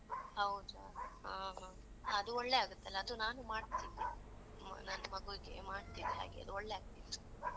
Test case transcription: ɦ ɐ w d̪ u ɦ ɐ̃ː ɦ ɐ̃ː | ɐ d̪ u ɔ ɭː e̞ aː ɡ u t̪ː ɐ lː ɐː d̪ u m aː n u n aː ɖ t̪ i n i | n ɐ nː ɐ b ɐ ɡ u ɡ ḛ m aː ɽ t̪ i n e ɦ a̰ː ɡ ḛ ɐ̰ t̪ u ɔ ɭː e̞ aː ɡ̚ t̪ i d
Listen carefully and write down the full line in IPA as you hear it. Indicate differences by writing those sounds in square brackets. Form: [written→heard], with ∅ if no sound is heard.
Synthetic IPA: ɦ ɐ w d̪ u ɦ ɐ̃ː ɦ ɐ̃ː | ɐ d̪ u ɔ ɭː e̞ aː ɡ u t̪ː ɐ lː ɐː d̪ u [m→n] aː n u [n→m] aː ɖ t̪ i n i | n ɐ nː ɐ [b→m] ɐ ɡ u ɡ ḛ m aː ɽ t̪ i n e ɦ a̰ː ɡ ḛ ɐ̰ [t̪→d̪] u ɔ ɭː e̞ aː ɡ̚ t̪ i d